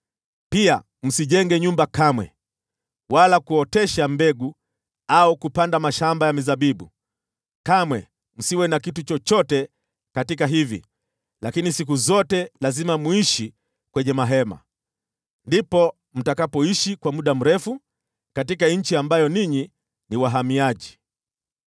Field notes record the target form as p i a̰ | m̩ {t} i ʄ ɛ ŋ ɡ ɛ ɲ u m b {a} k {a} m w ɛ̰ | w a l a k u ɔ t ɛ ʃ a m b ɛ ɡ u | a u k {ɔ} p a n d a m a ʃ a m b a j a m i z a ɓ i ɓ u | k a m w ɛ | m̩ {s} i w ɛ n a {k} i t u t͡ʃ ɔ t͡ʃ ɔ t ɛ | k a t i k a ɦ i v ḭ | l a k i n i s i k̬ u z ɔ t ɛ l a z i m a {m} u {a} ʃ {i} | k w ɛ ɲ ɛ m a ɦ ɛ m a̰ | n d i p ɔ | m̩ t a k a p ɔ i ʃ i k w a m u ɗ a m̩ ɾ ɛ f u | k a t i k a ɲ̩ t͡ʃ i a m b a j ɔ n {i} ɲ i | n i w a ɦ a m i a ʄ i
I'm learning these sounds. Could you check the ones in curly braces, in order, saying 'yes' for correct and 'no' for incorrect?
no, yes, yes, no, yes, yes, yes, no, yes, yes

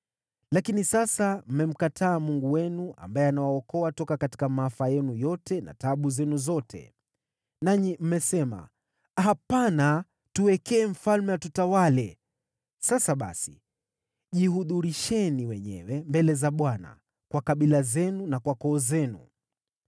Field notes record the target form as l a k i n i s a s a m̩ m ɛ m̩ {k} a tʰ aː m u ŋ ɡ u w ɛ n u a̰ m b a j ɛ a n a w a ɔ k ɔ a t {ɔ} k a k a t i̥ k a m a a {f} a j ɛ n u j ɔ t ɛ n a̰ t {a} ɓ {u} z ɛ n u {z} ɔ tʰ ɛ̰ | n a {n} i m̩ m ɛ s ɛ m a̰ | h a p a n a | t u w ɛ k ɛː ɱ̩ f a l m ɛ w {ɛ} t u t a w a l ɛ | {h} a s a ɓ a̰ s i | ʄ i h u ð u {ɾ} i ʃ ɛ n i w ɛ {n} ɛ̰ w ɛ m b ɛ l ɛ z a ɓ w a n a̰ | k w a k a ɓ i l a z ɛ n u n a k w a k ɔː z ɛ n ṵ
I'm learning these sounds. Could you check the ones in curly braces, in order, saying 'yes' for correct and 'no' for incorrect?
yes, yes, yes, yes, yes, yes, no, no, no, yes, no

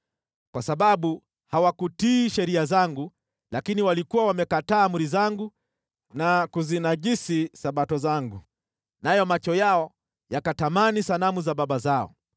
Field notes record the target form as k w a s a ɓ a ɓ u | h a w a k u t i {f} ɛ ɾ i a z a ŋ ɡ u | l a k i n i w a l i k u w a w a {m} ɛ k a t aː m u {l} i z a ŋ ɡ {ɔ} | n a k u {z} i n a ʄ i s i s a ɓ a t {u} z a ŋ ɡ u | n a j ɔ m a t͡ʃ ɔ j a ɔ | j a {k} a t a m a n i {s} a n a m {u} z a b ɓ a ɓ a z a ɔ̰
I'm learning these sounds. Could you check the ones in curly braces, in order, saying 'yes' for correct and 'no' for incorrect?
no, yes, no, no, yes, no, yes, yes, yes

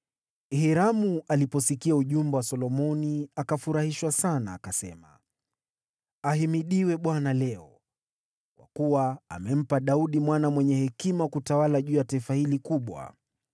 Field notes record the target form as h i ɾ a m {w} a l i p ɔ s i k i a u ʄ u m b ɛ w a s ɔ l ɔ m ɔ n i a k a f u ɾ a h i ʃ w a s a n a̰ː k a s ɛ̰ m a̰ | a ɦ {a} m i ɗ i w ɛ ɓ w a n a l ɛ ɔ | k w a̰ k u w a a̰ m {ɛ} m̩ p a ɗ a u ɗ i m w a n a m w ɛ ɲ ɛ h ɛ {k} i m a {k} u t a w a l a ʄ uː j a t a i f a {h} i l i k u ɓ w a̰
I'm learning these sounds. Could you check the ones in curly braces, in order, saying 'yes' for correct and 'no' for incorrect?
no, no, yes, yes, yes, yes

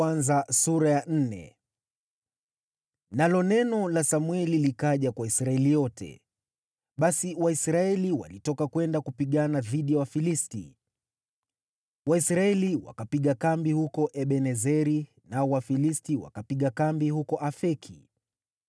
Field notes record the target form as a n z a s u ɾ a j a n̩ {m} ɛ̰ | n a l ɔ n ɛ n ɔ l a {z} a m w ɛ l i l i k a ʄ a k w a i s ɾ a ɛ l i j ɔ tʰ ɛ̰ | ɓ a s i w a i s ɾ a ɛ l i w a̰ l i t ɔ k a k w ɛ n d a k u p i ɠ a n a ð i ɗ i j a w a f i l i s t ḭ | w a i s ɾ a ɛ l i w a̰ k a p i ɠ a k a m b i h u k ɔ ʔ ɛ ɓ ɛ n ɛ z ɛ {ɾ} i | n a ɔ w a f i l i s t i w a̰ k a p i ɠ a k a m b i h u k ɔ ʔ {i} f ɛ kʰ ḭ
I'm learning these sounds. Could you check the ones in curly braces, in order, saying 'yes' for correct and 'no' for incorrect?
no, no, yes, no

